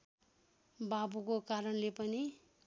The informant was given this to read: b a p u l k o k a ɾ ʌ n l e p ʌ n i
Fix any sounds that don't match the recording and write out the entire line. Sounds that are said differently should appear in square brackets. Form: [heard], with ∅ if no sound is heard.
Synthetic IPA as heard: b a [b] u [∅] k o k a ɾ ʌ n l e p ʌ n i